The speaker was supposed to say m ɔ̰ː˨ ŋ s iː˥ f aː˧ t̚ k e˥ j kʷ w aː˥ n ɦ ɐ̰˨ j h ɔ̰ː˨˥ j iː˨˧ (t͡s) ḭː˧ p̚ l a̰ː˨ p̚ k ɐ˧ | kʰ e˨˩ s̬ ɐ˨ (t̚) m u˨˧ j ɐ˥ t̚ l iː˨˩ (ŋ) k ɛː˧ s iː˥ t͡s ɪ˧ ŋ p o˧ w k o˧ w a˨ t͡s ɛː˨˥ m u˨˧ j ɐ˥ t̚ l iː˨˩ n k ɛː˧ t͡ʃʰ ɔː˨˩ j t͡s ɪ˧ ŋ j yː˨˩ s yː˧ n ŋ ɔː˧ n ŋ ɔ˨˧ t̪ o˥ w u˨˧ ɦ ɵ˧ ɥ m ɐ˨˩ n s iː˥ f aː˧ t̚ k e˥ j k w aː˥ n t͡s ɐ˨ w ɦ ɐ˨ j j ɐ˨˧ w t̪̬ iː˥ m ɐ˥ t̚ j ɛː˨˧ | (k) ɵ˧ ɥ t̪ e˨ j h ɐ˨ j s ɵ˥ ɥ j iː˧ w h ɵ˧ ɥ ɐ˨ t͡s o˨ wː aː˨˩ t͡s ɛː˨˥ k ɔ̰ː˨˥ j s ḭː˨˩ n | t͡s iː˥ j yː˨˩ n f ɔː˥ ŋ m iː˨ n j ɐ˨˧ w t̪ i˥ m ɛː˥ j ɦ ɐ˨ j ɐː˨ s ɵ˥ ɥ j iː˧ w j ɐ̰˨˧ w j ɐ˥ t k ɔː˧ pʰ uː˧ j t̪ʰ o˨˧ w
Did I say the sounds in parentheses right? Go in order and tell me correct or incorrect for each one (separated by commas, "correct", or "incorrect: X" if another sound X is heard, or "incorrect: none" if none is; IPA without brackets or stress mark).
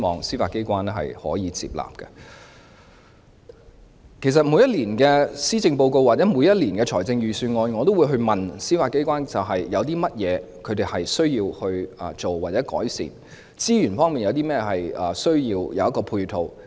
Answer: correct, correct, incorrect: n, incorrect: kʰ